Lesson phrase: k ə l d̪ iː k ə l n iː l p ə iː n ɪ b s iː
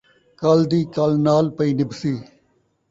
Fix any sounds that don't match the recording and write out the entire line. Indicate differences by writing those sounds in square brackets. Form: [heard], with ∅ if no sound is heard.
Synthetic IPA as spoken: k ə l d̪ iː k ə l n [aː] l p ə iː n ɪ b s iː